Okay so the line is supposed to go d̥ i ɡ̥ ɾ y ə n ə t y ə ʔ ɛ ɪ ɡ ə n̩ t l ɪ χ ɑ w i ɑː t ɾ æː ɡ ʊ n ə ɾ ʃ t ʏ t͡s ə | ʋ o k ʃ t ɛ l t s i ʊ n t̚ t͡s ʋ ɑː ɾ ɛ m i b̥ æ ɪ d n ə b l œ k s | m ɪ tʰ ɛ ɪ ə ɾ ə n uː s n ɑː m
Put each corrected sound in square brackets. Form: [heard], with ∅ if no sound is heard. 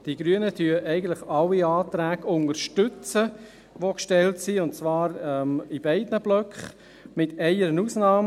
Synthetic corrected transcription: d̥ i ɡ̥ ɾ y ə n ə t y ə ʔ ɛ ɪ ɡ ə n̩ t l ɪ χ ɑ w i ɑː t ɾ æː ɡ ʊ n ə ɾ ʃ t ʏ t͡s ə | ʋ o k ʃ t ɛ l t s i ʊ n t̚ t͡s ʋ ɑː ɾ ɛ m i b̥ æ ɪ d n ə b l œ k [χ] | m ɪ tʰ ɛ ɪ ə ɾ ə n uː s n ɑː m